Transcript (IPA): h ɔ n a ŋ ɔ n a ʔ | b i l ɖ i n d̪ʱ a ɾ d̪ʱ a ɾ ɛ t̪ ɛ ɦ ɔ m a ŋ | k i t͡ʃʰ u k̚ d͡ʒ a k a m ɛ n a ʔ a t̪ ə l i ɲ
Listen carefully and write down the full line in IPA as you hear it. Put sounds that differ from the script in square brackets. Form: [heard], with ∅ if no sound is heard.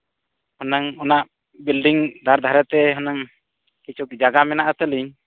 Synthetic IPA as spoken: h ɔ n a ŋ ɔ n a ʔ | b i l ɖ i [ŋ] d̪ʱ a ɾ d̪ʱ a ɾ ɛ t̪ ɛ ɦ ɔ [n] a ŋ | k i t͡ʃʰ u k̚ d͡ʒ a [ɡ] a m ɛ n a ʔ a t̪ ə l i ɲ